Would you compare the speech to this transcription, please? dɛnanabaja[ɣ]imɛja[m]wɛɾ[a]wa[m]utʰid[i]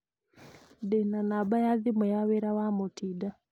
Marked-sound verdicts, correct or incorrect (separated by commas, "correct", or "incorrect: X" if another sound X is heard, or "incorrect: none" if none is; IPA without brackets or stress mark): incorrect: ð, incorrect: none, correct, correct, incorrect: a